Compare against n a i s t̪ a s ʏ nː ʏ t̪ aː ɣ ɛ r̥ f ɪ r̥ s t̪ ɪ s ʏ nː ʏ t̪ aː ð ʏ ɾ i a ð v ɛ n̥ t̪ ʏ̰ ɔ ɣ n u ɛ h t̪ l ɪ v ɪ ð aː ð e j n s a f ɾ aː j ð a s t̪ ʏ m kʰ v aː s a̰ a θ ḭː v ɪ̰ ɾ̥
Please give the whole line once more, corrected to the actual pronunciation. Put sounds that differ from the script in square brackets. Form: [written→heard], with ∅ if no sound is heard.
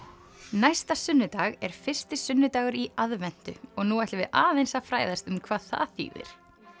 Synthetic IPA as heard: n a [i→j] s t̪ a s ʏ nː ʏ t̪ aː ɣ ɛ [r̥→ɾ̥] f ɪ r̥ s t̪ ɪ s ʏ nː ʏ t̪ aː [ð→ɣ] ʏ ɾ i a ð v ɛ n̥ t̪ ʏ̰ ɔ ɣ n u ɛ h t̪ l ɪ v ɪ ð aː ð e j n s a f ɾ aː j ð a s t̪ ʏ m kʰ v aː [s→θ] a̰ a θ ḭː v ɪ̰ ɾ̥